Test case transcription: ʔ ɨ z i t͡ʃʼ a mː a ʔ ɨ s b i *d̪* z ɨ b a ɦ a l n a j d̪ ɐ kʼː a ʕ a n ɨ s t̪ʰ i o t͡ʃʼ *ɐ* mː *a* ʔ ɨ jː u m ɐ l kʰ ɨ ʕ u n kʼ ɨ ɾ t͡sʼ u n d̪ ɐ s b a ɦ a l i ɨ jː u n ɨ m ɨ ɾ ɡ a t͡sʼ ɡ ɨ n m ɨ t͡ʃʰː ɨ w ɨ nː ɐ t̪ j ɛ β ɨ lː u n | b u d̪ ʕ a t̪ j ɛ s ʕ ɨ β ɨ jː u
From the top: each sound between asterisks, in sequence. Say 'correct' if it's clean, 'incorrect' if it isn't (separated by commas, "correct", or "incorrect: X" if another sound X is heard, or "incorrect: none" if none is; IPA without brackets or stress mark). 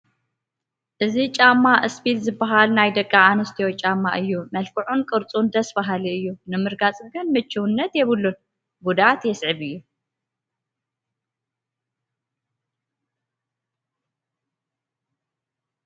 incorrect: t̪, incorrect: a, correct